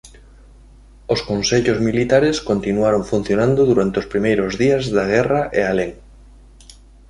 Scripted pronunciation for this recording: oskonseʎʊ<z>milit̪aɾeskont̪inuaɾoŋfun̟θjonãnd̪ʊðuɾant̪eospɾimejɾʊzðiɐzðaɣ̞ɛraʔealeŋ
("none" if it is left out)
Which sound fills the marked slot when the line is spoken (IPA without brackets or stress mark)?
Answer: z